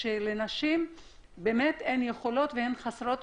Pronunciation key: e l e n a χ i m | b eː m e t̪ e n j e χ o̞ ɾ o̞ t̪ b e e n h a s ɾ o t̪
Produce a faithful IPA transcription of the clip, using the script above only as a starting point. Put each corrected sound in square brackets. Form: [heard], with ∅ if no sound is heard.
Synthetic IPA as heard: e l e n a [ʃ] i m | b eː m e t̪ e n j e χ o̞ [l] o̞ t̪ [v] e e n [χ] a s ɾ o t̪